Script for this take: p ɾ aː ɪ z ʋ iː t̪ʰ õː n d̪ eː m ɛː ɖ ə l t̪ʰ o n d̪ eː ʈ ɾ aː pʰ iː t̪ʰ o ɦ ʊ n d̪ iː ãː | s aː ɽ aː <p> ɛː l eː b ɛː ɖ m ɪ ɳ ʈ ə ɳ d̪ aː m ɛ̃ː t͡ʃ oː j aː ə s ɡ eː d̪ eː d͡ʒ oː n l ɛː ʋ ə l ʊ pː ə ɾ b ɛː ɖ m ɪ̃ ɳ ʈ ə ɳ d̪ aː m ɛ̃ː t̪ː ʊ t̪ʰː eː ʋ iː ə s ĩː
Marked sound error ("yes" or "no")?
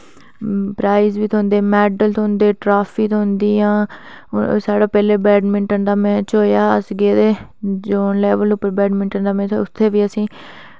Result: no